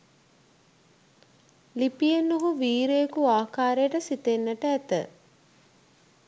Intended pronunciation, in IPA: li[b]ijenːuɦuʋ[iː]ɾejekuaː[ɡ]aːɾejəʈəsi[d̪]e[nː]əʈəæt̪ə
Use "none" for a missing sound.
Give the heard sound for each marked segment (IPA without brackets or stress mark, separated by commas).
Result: p, iː, k, t̪, nː